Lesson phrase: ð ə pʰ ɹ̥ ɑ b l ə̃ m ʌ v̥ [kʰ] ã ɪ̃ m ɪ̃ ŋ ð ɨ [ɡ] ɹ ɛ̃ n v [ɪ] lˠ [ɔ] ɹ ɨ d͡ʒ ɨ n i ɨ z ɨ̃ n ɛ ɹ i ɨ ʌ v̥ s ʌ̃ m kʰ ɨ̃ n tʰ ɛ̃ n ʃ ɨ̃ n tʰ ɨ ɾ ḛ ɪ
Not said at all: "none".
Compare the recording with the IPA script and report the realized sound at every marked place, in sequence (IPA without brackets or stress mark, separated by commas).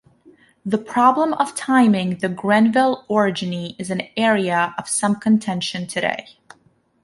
tʰ, ɡ, ɪ, ɔ